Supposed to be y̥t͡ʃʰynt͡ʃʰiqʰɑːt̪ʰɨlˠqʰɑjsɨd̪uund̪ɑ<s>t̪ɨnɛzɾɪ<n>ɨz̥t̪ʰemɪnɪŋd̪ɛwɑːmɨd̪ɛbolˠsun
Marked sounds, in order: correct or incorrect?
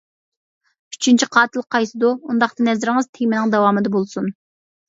incorrect: χ, incorrect: ŋ

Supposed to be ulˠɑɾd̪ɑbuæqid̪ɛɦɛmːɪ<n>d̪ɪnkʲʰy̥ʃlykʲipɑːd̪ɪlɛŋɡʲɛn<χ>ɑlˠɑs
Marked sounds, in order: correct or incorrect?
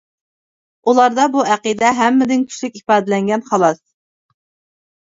incorrect: none, correct

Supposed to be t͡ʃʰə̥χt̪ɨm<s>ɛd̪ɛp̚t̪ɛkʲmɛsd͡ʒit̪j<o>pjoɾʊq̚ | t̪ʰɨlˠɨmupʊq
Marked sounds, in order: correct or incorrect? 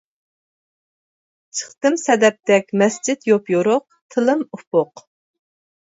correct, correct

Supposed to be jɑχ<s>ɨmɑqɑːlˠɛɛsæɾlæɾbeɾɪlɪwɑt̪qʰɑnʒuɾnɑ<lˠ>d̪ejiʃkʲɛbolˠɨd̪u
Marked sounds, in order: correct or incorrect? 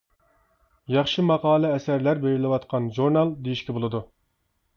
incorrect: ʃ, correct

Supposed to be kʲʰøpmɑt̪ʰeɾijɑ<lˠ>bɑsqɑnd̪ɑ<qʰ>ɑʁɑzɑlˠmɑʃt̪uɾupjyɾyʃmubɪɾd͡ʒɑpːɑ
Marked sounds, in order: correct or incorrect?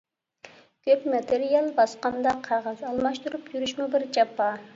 correct, correct

